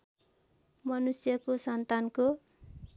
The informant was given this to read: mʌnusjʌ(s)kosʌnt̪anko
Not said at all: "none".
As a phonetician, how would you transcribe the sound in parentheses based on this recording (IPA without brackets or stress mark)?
none